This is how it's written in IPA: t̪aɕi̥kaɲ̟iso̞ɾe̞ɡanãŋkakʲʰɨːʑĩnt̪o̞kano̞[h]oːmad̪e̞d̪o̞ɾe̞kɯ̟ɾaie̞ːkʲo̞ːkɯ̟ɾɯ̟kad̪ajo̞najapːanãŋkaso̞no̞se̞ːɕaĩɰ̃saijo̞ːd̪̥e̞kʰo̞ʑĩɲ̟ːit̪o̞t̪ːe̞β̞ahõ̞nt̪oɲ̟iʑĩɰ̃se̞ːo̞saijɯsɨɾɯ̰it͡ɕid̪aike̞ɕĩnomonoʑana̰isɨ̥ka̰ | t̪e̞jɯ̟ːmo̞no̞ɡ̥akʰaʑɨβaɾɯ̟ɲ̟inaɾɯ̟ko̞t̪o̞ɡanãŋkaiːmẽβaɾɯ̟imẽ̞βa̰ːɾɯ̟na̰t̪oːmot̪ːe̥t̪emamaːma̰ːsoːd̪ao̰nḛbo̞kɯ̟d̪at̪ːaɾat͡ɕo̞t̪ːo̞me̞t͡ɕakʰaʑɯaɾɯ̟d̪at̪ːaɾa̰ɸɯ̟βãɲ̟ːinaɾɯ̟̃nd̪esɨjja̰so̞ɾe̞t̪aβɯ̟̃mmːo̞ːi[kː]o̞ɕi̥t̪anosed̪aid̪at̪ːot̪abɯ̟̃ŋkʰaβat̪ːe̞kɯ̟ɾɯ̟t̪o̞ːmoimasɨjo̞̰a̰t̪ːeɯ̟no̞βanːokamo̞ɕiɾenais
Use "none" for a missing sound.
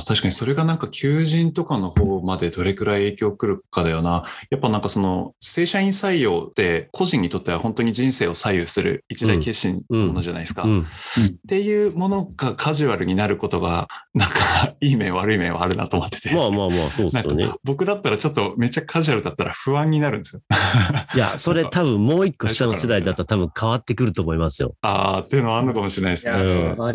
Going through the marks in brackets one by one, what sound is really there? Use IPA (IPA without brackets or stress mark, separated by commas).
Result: h, kː